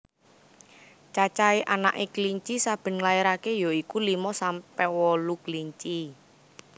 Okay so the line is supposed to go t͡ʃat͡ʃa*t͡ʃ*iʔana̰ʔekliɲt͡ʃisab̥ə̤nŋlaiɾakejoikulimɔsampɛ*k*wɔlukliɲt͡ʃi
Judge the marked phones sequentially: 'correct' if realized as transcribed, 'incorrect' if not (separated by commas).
incorrect, incorrect